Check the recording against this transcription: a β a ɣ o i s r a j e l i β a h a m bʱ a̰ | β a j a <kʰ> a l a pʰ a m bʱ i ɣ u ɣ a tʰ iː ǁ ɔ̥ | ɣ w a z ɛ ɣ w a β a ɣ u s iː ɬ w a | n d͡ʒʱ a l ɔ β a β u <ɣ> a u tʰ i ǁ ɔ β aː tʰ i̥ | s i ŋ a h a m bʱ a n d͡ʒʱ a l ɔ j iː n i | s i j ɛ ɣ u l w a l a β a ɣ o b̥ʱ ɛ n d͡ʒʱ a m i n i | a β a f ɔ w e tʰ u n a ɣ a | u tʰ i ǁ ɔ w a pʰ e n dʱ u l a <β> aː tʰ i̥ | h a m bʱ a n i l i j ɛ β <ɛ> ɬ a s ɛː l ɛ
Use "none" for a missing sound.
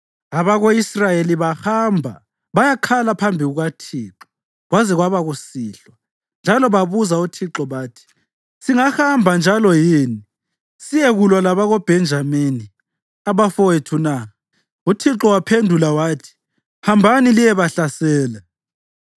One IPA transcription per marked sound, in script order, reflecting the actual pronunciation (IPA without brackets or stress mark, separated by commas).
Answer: kʰ, z, w, a